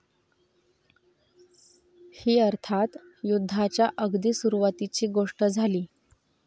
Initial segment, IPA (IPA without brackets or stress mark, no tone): h